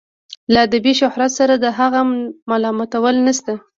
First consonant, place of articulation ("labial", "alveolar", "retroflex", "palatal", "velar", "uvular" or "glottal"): alveolar